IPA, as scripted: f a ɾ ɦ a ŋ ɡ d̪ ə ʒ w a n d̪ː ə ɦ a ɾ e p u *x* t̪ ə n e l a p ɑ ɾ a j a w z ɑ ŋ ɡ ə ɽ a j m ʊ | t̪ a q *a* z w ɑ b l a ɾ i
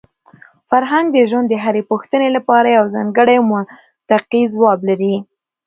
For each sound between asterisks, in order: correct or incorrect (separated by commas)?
correct, incorrect